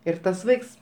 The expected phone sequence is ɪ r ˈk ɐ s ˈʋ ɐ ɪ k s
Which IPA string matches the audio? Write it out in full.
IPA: ɪ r ˈt ɐ s ˈʋ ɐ ɪ k s